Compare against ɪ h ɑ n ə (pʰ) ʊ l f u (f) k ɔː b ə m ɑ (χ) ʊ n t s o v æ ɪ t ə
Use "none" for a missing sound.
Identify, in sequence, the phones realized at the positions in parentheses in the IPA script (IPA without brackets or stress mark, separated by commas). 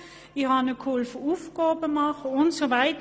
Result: kʰ, f, χ